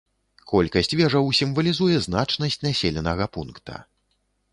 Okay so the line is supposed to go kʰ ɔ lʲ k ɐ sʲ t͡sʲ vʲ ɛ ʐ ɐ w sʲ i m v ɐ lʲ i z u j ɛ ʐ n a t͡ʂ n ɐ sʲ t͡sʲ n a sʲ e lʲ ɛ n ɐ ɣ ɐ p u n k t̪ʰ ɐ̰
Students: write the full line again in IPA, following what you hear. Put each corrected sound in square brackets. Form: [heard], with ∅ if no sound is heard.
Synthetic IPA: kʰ ɔ lʲ k ɐ sʲ t͡sʲ vʲ ɛ ʐ ɐ w sʲ i m v ɐ lʲ i z u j ɛ [z] n a t͡ʂ n ɐ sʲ t͡sʲ n a sʲ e lʲ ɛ n ɐ ɣ ɐ p u n k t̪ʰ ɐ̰